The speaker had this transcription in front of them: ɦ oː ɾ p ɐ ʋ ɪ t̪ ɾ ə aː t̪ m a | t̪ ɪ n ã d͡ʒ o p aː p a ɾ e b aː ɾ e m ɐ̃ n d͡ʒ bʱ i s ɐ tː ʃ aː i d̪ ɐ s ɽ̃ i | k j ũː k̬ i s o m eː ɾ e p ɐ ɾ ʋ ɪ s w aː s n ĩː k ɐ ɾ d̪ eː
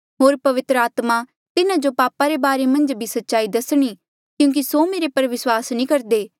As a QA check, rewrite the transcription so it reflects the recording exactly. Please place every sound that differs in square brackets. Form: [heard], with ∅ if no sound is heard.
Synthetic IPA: ɦ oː ɾ p ɐ ʋ ɪ t̪ ɾ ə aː t̪ m a | t̪ ɪ n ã d͡ʒ o p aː p a ɾ e b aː ɾ e m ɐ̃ n d͡ʒ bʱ i s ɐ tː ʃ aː i d̪ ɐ s ɽ̃ i | k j ũː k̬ i s o m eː ɾ e p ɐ ɾ ʋ ɪ s w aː s n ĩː k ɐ ɾ d̪ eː